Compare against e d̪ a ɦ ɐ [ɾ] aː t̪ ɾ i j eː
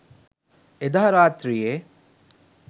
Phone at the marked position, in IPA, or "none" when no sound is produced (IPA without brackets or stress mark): ɾ